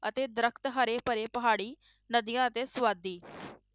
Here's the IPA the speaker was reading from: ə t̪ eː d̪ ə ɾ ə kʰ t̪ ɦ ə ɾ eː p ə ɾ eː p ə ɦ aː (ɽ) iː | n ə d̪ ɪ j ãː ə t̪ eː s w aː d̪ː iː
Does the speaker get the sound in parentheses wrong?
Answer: no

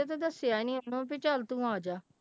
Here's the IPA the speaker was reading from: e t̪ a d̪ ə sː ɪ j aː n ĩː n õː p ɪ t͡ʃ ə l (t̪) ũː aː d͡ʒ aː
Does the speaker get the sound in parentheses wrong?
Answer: no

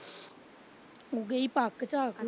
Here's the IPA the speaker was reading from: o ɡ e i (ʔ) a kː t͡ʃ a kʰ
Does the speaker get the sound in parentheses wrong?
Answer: yes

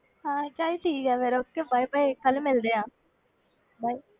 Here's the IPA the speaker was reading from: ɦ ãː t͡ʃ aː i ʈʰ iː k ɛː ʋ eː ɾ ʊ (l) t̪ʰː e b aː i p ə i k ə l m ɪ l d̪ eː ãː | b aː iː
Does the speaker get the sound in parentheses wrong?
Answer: yes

